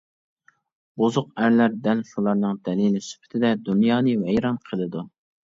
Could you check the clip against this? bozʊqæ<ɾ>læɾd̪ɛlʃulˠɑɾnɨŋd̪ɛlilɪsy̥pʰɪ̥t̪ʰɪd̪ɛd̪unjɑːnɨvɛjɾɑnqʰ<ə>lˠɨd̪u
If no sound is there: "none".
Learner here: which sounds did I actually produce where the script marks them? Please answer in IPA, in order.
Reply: ɾ, ə

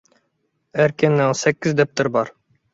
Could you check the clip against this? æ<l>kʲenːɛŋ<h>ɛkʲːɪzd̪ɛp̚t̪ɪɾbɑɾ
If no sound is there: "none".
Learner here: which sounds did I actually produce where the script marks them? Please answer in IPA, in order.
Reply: ɾ, s

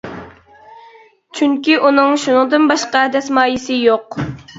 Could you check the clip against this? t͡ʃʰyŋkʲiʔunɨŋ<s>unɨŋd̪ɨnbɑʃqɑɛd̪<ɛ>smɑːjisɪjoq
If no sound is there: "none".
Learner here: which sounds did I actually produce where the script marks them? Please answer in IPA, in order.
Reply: ʃ, ɛ

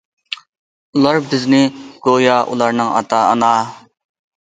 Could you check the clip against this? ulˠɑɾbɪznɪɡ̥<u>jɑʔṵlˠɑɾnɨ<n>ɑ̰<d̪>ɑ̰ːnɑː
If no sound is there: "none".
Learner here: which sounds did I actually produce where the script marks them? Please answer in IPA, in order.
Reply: o, ŋ, t̪

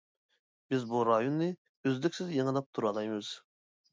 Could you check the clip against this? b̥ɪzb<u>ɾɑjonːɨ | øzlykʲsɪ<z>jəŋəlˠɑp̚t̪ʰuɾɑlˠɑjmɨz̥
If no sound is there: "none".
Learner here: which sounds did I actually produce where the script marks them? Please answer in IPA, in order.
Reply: u, z

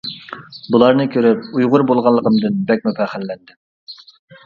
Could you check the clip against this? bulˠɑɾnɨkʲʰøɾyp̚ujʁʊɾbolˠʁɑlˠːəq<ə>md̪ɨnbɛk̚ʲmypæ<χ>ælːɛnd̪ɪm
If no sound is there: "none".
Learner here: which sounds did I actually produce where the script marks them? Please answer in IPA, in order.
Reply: ə, χ

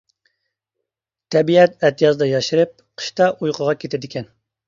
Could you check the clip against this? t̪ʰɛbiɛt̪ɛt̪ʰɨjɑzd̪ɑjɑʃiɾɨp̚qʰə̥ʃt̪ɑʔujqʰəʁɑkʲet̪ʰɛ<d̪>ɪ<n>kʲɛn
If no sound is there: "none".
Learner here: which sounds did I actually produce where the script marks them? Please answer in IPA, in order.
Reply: d̪, none

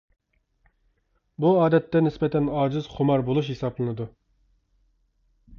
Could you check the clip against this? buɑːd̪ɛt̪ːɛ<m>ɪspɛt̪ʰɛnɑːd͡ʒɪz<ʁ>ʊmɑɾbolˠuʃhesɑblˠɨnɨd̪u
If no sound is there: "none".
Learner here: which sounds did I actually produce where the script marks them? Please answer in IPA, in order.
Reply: n, χ

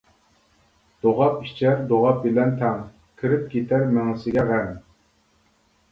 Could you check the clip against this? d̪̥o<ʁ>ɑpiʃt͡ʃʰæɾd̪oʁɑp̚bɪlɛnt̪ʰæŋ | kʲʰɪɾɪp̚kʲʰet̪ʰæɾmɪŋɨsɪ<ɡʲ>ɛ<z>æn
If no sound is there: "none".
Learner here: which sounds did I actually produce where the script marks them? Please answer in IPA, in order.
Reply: ʁ, ɡʲ, ʁ

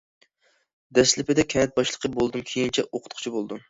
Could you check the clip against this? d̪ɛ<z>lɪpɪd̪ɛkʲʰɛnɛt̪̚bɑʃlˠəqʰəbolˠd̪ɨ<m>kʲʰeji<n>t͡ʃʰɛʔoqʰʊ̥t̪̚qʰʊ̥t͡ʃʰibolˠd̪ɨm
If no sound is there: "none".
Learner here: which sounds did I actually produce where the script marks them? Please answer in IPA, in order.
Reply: s, m, n

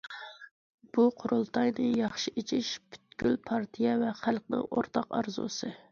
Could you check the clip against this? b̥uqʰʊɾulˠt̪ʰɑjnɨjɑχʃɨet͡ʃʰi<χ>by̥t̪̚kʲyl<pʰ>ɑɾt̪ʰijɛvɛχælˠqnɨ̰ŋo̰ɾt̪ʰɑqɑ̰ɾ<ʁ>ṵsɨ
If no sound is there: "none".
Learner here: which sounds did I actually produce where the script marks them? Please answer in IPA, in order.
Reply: ʃ, pʰ, z

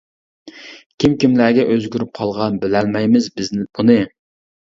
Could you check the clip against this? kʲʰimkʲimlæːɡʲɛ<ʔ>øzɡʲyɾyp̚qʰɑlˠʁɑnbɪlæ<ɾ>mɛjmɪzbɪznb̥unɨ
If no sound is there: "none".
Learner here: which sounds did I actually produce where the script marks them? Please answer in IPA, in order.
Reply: ʔ, l

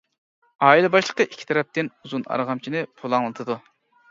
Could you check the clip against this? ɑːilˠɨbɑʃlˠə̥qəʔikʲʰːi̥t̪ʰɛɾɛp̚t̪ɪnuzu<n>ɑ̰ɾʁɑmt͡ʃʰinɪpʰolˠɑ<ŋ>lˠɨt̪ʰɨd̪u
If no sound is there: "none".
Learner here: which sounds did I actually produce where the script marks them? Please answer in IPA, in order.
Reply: n, ŋ

